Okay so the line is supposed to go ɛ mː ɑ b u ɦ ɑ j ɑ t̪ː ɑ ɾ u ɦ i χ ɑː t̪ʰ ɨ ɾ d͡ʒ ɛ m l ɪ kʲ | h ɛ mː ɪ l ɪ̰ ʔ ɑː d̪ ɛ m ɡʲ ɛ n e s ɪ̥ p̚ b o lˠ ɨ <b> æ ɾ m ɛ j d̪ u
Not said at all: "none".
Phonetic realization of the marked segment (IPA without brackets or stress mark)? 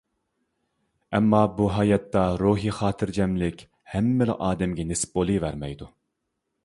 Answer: v